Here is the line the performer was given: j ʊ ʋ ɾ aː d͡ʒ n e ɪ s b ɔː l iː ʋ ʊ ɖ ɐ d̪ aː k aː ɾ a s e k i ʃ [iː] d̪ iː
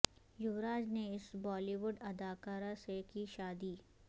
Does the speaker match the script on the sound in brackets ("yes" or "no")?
no